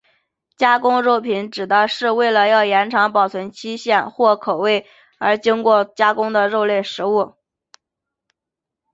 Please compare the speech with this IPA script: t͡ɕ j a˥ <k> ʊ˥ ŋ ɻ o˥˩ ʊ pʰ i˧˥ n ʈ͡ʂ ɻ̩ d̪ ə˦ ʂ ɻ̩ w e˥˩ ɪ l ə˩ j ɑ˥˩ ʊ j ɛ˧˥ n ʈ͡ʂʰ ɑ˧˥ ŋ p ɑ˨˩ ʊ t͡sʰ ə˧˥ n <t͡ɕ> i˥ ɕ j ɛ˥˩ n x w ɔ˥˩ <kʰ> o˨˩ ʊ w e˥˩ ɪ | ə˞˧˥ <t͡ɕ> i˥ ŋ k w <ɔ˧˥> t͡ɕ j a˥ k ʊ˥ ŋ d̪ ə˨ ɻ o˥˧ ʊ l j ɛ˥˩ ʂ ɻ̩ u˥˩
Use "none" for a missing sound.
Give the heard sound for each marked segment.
k, t͡ɕʰ, kʰ, t͡ɕ, ɔ˥˩

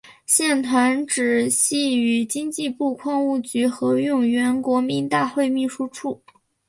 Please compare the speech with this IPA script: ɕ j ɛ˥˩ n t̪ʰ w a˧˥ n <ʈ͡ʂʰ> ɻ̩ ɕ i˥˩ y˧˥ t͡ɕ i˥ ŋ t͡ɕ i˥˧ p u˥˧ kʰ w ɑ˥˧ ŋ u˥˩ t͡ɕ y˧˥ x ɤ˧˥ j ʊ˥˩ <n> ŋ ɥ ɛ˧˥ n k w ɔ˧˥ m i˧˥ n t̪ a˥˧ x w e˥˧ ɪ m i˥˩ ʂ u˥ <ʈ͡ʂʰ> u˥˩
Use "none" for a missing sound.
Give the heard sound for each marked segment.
ʈ͡ʂ, none, ʈ͡ʂʰ

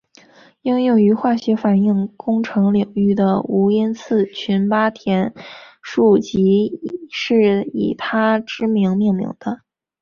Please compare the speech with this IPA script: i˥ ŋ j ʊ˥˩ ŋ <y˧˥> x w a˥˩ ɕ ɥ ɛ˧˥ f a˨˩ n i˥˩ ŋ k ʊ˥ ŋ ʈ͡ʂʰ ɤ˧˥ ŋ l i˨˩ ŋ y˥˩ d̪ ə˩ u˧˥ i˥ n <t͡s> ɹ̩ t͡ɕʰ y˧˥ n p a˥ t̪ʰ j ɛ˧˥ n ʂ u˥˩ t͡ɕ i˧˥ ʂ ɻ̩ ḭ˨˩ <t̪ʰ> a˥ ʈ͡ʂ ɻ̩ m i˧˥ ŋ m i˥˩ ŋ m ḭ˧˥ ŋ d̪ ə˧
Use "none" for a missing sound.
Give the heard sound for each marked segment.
y˧˥, t͡sʰ, t̪ʰ

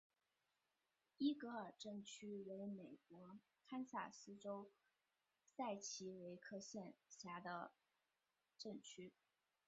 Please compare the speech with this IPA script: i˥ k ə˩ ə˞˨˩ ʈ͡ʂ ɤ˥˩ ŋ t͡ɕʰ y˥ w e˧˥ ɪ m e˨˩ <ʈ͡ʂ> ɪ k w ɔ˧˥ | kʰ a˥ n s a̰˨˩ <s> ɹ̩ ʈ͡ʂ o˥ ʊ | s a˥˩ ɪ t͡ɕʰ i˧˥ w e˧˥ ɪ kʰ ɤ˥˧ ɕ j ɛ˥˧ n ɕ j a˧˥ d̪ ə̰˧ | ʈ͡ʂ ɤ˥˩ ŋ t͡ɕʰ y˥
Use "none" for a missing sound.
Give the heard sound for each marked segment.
none, s

